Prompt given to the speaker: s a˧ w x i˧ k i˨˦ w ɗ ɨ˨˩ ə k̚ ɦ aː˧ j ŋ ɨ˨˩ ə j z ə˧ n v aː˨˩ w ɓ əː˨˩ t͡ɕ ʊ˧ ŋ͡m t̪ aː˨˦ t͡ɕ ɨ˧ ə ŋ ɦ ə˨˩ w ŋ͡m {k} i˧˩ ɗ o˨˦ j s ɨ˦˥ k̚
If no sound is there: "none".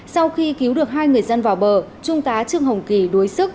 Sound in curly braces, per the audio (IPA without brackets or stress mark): k